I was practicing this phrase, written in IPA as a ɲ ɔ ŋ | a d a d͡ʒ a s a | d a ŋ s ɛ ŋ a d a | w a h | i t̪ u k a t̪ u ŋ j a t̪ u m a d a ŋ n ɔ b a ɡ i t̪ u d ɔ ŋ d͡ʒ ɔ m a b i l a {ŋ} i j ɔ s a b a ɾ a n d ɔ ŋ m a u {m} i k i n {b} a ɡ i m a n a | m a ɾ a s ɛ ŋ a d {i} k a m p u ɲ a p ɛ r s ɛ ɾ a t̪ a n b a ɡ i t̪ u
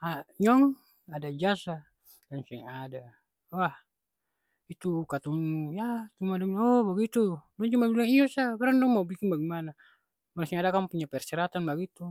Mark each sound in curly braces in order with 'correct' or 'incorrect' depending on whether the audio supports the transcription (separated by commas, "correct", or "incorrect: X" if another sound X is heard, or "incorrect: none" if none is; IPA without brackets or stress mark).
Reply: correct, incorrect: b, correct, incorrect: a